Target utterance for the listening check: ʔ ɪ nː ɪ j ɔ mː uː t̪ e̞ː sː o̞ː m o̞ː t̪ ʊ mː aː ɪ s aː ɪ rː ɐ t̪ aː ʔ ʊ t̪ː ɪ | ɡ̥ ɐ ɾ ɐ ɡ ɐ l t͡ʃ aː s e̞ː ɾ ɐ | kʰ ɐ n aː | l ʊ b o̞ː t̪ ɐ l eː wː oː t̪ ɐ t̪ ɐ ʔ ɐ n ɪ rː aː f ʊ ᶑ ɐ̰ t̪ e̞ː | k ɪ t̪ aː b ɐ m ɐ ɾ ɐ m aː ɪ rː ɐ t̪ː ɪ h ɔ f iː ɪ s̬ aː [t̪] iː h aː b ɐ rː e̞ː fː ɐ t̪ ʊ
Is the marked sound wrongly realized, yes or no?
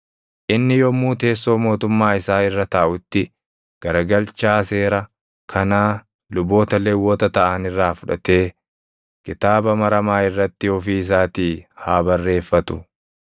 no